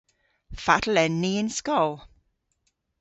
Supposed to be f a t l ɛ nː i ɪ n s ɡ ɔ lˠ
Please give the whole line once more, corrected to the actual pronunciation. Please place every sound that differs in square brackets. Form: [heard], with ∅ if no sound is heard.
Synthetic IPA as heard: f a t l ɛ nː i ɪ n s [k] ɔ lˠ